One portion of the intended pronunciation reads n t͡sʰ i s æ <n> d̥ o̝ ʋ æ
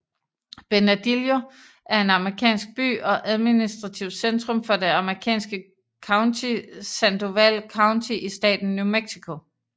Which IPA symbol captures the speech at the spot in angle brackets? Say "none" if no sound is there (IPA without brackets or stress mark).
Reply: n